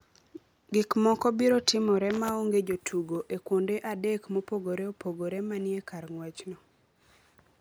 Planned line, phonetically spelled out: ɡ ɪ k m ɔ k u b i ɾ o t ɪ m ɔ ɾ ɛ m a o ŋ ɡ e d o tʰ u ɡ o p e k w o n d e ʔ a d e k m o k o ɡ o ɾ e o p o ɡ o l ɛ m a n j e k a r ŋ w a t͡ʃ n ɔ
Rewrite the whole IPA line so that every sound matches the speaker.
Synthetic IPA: ɡ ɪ k m ɔ k ɔ b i ɾ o t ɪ m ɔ ɾ ɛ m a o ŋ ɡ e d͡ʒ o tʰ u ɡ o ʔ e k w o n d e ʔ a d e k m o p o ɡ o ɾ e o p o ɡ o ɾ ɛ m a n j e k a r ŋ w ɛ t͡ʃ n ɔ